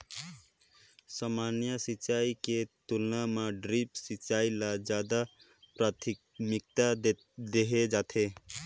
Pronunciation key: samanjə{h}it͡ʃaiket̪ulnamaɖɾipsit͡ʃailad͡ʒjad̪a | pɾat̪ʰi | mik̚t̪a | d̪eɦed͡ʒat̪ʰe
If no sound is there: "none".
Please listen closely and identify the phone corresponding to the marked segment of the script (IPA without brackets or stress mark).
s